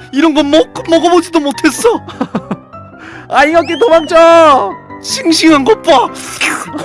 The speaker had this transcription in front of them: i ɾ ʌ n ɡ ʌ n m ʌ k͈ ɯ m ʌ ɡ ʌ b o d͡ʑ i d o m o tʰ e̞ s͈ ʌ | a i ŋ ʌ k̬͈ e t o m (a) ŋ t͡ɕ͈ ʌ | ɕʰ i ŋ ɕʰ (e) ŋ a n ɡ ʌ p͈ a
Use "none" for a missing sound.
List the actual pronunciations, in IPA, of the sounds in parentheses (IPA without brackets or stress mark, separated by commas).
a, i